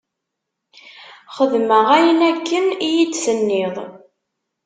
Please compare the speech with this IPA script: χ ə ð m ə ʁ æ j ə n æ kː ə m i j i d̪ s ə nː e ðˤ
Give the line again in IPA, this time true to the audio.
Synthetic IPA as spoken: χ ə ð m ə ʁ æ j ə n æ kː ə n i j i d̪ s ə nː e ðˤ